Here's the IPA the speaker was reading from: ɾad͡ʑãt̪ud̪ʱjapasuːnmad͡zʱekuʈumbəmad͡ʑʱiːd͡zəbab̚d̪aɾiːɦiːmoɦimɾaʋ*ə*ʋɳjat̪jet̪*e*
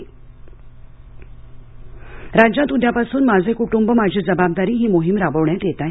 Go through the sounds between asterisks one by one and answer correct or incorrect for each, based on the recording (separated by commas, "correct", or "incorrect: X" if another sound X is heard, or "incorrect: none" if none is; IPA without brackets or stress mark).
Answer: correct, incorrect: a